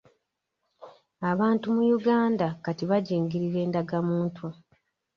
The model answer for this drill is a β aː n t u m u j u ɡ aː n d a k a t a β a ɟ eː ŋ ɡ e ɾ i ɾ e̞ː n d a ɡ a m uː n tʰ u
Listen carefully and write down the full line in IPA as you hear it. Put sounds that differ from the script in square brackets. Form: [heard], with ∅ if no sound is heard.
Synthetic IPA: a β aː n t u m u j u ɡ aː n d a k a t [i] β a ɟ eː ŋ ɡ [i] ɾ i ɾ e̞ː n d a ɡ a m uː n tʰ u